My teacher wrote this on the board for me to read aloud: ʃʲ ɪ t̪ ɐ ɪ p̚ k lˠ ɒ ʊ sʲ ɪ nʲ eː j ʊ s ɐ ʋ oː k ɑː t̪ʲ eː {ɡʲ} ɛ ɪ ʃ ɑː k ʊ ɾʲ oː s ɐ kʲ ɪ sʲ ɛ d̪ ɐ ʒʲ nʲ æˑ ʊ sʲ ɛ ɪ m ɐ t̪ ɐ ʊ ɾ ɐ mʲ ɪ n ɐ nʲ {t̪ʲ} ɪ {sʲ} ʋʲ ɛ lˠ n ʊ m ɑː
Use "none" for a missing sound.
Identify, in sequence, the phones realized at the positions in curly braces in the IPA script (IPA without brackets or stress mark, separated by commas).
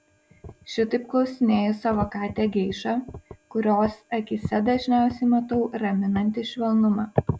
ɡʲ, t̪ʲ, ʃʲ